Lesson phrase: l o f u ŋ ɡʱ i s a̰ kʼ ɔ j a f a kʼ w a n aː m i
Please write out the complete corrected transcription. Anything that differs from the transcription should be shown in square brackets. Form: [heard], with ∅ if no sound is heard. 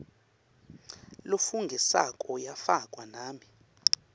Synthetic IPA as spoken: l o f u ŋ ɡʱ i s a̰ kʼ ɔ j a f a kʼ w a n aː m i